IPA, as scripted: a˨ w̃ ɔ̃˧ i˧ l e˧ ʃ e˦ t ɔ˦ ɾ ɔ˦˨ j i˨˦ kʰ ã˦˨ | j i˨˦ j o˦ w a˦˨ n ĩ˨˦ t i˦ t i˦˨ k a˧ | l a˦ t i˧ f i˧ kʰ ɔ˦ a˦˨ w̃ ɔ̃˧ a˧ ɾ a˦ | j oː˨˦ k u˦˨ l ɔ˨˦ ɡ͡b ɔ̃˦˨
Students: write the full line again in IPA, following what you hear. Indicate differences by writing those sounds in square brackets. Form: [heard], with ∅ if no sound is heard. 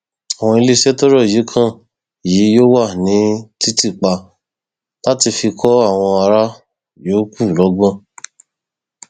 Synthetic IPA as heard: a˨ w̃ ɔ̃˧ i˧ l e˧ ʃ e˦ t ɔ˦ ɾ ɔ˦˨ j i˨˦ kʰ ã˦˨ | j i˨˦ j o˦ w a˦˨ n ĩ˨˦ t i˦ t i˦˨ [k͡p] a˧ | l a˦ t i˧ f i˧ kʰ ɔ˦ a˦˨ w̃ ɔ̃˧ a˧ ɾ a˦ | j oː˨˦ k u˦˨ l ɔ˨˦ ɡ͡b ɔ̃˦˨